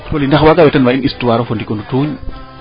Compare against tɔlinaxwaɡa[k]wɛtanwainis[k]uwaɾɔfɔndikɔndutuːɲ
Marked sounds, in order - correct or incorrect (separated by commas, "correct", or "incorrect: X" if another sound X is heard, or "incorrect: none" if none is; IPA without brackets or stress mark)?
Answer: incorrect: none, incorrect: t